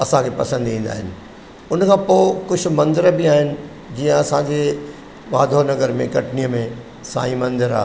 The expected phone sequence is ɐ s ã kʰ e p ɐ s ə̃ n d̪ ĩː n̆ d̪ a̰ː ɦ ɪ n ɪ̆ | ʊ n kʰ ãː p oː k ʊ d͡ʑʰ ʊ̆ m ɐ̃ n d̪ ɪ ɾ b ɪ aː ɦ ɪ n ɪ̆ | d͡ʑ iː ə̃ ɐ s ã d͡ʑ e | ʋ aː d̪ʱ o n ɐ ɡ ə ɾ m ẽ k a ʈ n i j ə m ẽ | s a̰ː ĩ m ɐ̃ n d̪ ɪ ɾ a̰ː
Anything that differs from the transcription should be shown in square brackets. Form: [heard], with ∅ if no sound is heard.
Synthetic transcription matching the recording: ɐ s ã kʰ e p ɐ s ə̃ n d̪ ĩː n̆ d̪ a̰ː ɦ ɪ n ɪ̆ | ʊ n kʰ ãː p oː k ʊ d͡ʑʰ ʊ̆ m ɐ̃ n d̪ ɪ ɾ b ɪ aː ɦ ɪ n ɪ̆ | d͡ʑ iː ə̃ ɐ s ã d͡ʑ e | ʋ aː d̪ʱ o n ɐ ɡ ə ɾ m ẽ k [ɐ] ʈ n i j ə m ẽ | s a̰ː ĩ m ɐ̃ n d̪ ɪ ɾ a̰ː